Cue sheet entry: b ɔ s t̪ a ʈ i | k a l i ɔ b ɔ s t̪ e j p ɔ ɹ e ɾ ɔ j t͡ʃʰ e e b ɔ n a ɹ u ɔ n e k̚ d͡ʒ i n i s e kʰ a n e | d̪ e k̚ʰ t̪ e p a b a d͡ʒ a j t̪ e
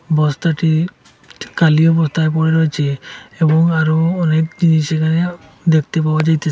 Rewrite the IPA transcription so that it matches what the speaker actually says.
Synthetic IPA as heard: b ɔ s t̪ a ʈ i | k a l i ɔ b ɔ s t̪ a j p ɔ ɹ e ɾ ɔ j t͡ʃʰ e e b ɔ ŋ a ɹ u ɔ n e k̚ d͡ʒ i n i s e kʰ a n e | d̪ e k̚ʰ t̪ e p a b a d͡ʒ a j t̪ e